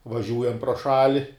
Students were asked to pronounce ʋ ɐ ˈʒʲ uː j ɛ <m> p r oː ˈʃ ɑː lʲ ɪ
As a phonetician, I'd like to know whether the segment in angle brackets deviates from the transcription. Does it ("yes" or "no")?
no